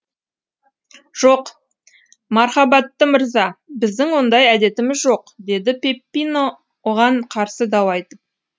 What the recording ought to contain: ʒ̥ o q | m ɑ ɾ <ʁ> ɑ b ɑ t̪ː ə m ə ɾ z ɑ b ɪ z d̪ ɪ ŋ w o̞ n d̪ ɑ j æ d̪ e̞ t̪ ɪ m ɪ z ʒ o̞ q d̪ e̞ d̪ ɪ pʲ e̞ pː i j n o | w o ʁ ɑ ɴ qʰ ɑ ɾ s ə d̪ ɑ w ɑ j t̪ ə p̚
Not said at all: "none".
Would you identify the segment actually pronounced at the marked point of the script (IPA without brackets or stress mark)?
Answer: χ